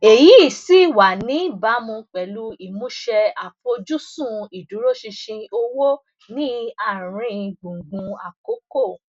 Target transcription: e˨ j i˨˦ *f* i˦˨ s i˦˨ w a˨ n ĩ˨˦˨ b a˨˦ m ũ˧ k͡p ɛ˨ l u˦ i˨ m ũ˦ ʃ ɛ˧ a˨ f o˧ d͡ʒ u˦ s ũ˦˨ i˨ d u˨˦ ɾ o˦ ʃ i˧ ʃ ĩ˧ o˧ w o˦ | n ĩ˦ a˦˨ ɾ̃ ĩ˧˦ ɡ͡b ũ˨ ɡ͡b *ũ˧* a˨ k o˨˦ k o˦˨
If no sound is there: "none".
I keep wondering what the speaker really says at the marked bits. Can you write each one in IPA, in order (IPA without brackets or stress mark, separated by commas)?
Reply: none, ũ˧